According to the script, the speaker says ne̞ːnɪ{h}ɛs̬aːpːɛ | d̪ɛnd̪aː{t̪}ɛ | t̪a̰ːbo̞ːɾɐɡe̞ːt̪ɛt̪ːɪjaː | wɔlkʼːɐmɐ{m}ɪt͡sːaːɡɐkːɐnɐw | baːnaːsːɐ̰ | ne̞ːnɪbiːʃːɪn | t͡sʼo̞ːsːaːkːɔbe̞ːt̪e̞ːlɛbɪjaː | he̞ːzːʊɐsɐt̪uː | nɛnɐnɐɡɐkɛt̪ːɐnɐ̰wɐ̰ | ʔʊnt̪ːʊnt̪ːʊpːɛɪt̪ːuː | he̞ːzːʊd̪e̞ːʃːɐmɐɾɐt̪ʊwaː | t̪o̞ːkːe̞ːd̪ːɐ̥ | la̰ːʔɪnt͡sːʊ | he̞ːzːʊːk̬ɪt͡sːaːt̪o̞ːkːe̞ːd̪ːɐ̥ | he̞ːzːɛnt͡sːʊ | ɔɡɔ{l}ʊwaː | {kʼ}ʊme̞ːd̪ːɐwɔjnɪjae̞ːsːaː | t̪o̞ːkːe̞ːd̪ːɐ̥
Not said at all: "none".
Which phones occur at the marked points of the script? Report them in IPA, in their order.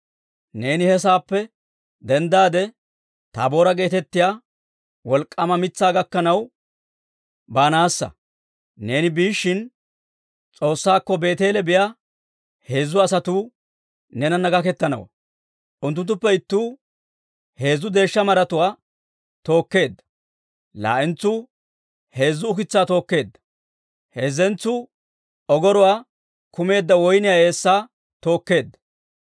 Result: h, d̪, m, ɾ, k

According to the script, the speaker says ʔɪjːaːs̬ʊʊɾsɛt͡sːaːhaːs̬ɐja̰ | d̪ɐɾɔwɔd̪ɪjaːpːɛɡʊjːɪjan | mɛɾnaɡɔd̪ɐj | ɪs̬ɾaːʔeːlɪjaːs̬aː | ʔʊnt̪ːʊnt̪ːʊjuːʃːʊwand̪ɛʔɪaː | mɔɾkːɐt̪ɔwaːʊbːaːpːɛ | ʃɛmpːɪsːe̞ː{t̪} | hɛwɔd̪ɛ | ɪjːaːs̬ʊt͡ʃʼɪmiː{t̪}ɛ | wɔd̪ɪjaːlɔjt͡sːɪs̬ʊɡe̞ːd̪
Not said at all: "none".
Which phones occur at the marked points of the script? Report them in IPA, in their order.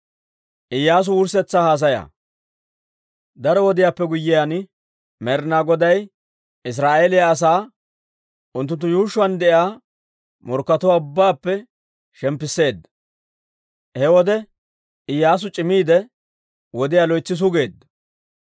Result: d̪, d̪

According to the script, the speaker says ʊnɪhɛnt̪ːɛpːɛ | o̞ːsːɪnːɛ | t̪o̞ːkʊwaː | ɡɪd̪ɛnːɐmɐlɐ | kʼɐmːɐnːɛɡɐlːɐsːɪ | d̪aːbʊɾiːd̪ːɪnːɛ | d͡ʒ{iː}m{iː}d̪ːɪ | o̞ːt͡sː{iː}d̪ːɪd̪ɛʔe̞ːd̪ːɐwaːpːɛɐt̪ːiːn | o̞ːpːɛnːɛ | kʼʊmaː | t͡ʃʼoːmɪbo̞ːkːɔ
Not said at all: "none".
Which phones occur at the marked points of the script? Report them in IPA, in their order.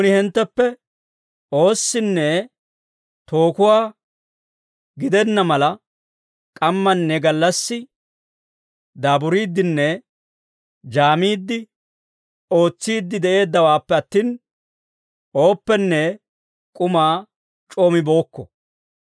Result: aː, iː, iː

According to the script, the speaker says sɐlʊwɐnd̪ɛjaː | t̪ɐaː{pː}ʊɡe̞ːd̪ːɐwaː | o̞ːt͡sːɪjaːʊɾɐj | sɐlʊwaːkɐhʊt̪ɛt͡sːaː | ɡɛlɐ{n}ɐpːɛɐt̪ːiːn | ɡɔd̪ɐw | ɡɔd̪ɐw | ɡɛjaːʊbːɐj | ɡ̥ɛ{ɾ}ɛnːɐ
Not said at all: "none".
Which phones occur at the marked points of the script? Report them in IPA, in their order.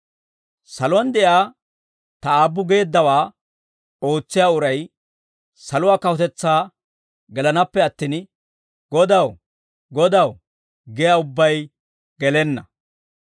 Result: bː, n, l

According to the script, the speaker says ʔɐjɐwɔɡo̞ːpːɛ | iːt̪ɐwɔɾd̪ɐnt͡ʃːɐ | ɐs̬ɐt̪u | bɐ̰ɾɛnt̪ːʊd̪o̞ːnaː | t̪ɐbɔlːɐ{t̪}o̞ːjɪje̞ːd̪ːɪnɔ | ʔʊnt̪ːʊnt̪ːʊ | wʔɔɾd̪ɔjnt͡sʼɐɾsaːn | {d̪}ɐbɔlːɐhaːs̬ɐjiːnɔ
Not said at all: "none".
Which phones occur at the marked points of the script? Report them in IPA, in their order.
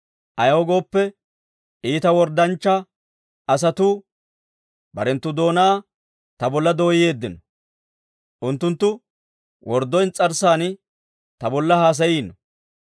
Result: d̪, t̪

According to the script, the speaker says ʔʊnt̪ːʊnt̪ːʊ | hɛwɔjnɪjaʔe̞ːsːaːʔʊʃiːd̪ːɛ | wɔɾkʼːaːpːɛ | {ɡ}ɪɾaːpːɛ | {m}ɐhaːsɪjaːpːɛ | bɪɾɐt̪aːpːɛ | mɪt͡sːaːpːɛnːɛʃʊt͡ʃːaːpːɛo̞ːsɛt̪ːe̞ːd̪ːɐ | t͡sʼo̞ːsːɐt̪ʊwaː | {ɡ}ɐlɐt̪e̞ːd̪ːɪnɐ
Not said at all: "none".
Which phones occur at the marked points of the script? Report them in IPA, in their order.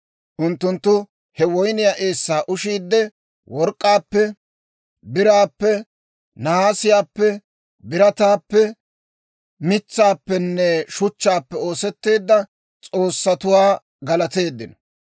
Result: b, n, ɡ

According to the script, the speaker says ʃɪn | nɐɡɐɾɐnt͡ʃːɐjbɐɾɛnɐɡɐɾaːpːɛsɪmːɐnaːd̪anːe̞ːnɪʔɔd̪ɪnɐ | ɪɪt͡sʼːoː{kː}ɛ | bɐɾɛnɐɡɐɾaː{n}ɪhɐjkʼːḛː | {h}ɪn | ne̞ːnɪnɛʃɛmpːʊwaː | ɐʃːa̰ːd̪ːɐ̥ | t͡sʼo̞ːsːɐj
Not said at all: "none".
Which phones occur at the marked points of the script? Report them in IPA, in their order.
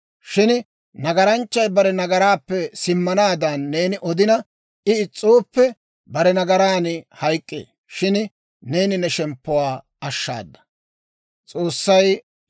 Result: pː, n, ʃ

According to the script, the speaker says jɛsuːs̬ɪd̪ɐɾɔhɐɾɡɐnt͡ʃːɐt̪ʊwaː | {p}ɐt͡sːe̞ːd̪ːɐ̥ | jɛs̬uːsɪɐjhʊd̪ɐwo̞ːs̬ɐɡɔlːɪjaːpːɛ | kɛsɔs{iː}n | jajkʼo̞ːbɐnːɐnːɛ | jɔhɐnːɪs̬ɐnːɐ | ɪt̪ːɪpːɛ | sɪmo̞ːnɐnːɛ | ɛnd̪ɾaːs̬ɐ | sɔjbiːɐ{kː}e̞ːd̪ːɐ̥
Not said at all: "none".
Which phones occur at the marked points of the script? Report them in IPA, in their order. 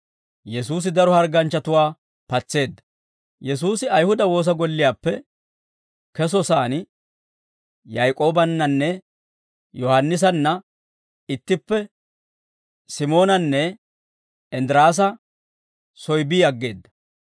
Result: p, aː, ɡː

